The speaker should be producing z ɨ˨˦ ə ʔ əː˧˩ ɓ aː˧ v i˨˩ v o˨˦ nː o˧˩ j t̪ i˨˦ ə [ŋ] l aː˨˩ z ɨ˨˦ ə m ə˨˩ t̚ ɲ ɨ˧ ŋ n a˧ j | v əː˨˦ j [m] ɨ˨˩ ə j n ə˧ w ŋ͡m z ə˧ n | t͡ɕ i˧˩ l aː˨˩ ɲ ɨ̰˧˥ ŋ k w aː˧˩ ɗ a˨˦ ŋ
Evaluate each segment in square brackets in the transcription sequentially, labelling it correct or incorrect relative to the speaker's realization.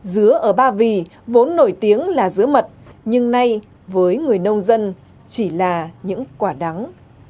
correct, incorrect: ŋ

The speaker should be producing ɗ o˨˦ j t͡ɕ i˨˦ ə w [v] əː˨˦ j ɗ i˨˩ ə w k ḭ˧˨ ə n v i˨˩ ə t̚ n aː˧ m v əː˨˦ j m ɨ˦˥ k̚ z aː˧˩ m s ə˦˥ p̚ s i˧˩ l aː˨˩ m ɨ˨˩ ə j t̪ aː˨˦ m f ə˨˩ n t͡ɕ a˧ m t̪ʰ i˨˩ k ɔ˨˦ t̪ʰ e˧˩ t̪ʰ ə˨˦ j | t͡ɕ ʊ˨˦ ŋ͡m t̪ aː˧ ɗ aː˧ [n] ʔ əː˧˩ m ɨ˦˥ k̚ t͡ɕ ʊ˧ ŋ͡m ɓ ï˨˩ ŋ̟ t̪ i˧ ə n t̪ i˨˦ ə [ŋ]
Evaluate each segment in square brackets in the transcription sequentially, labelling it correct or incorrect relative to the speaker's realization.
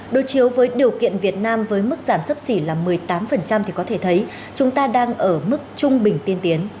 correct, incorrect: ŋ, incorrect: n

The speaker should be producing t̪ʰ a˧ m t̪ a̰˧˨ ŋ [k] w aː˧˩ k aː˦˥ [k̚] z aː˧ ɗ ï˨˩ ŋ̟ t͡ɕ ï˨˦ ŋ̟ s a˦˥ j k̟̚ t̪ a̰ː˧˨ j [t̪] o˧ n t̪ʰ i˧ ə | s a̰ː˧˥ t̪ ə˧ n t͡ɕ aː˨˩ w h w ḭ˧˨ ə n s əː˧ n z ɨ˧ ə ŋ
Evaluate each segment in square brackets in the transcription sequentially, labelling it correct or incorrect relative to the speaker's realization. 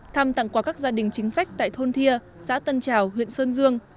correct, correct, incorrect: t̪ʰ

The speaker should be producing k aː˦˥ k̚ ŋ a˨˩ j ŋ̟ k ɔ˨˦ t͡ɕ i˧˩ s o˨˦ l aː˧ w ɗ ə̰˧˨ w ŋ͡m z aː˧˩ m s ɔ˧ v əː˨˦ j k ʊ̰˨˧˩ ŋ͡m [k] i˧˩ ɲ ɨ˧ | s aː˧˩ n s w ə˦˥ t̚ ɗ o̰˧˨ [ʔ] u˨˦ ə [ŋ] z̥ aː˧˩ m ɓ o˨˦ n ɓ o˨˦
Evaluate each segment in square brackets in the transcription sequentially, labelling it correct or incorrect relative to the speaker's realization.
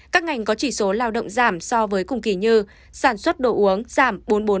correct, correct, correct

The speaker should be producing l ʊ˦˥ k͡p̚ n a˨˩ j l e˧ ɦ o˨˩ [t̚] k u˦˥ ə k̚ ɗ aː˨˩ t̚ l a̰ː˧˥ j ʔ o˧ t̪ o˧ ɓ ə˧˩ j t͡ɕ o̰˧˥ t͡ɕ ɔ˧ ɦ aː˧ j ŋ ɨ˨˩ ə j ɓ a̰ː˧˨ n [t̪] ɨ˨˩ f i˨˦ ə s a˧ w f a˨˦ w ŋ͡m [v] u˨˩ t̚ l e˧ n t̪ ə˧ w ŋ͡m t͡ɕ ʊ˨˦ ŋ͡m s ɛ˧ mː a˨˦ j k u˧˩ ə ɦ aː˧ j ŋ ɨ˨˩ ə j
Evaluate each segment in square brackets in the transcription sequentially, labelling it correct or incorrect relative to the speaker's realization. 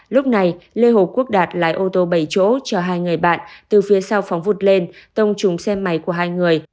incorrect: p̚, correct, correct

